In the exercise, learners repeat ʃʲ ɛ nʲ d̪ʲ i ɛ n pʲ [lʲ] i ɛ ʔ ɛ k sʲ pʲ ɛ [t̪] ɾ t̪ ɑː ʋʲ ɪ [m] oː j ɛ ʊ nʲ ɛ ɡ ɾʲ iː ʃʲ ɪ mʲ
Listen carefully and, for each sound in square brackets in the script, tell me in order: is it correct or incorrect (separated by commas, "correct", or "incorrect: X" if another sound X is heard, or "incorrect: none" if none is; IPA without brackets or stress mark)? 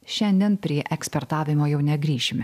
incorrect: ɾʲ, incorrect: none, correct